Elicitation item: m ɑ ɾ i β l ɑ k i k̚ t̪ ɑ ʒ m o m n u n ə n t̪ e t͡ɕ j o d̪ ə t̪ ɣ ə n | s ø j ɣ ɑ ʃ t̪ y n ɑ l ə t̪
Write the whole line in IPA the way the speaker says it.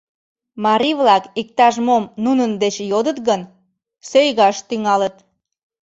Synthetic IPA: m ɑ ɾ i β l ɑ k i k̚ t̪ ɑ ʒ m o m n u n ə n d̪ e t͡ɕ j o d̪ ə t̪ ɣ ə n | s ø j ɣ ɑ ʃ t̪ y ŋ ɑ l ə t̪